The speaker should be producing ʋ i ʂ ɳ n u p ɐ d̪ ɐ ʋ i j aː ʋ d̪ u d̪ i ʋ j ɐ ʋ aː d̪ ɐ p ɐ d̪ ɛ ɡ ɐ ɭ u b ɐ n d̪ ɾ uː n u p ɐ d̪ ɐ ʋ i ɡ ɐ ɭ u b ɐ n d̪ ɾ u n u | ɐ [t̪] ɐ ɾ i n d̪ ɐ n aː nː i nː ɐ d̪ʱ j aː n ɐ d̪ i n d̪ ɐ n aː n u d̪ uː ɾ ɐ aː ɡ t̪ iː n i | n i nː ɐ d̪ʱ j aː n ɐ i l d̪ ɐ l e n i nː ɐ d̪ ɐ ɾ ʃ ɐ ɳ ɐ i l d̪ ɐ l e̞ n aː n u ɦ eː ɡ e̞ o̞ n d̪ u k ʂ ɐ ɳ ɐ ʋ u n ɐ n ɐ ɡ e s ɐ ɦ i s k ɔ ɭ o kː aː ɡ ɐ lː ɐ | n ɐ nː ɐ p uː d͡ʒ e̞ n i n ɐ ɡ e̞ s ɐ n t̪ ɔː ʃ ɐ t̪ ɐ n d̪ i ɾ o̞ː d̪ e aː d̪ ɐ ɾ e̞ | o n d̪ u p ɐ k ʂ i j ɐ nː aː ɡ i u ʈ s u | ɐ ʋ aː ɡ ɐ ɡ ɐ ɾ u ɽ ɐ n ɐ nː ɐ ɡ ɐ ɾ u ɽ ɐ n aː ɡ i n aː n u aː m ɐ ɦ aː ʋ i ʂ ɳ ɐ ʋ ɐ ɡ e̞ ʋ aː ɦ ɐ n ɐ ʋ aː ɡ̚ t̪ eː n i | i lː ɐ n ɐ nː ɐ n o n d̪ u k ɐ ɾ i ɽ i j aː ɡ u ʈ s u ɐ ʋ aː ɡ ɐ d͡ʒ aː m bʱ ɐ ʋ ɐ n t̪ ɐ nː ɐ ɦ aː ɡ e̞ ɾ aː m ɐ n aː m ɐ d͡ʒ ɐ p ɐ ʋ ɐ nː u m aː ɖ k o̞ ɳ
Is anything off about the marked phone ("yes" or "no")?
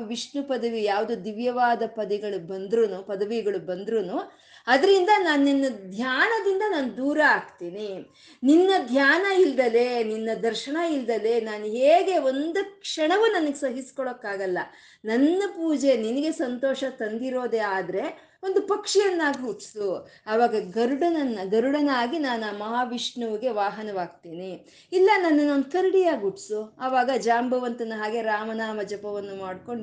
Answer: yes